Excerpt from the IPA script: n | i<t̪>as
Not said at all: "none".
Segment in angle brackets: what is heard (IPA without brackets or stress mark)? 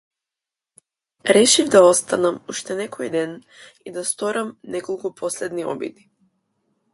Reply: d̪